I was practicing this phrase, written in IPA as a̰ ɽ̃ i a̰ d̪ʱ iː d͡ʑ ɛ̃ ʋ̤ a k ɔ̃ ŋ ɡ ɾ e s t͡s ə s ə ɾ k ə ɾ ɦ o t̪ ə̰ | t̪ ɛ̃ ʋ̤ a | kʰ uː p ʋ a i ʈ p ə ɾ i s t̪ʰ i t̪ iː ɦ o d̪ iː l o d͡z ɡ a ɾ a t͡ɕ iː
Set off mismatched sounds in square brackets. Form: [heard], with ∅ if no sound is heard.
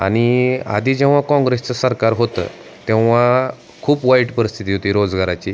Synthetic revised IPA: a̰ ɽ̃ i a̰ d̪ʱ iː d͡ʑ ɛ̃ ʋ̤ a k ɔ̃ ŋ ɡ ɾ e s t͡s ə s ə ɾ k [a] ɾ ɦ o t̪ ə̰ | t̪ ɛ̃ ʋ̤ a | kʰ uː p ʋ a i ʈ p ə ɾ i s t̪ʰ i t̪ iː ɦ o [t̪] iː [ɾ] o d͡z ɡ a ɾ a t͡ɕ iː